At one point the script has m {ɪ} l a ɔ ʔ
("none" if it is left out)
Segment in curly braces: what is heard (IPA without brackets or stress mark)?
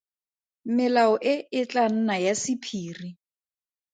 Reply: ɪ